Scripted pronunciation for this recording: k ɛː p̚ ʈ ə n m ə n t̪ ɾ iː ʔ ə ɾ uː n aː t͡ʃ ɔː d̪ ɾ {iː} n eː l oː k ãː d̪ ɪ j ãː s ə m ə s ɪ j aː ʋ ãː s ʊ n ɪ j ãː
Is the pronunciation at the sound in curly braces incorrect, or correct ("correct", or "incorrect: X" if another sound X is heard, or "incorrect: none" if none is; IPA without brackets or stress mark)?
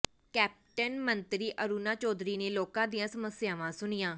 correct